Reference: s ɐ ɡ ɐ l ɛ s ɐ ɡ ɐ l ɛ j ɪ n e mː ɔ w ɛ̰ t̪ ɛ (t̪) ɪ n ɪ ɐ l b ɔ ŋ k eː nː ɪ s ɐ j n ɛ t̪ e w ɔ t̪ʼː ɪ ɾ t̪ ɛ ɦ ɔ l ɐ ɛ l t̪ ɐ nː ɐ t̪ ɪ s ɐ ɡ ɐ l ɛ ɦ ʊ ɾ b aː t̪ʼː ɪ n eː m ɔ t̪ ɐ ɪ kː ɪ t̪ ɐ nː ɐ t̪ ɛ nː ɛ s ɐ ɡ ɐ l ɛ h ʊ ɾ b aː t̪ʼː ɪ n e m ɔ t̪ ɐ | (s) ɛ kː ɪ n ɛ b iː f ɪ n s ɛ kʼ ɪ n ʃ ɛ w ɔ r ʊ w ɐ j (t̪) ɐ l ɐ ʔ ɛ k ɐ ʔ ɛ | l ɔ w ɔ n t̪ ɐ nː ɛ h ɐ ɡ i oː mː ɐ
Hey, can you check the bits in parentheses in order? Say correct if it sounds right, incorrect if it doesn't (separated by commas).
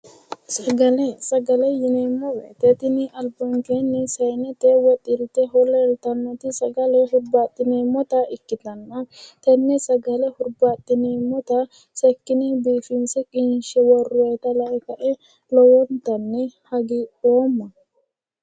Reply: correct, correct, correct